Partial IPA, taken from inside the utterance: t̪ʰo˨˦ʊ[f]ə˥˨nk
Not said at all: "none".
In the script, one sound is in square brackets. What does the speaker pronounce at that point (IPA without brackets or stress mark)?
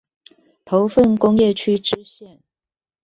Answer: f